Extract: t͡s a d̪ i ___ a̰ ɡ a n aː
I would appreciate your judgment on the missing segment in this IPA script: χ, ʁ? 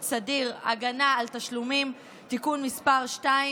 ʁ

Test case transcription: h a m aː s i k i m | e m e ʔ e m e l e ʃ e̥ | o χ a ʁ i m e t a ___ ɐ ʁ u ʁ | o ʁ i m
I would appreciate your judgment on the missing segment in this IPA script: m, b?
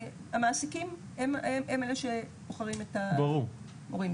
b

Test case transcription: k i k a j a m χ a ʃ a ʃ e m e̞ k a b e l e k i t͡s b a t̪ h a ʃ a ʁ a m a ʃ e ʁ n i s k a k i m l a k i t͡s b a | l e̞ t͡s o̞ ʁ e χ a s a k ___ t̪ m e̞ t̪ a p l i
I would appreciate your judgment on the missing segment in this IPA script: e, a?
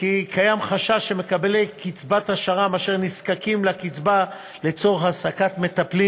a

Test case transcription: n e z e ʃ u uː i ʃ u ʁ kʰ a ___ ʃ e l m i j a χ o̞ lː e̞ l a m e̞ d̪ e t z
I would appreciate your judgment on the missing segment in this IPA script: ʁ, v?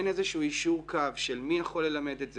v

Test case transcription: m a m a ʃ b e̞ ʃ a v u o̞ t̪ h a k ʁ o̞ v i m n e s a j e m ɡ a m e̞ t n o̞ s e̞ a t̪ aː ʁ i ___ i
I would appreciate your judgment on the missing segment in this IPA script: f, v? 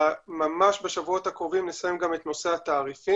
f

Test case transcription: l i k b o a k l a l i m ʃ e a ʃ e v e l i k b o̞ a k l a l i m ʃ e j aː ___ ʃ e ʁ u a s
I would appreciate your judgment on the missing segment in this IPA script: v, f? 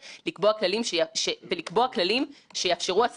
f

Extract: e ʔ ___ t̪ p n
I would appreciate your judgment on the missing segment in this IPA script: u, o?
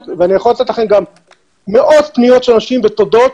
o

